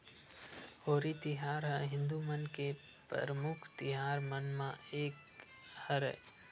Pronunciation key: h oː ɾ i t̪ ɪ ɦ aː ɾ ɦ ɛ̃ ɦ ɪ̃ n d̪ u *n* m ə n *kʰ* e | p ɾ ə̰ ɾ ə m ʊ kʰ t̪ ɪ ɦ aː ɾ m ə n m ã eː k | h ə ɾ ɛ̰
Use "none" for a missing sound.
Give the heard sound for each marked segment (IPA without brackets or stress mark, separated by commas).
none, k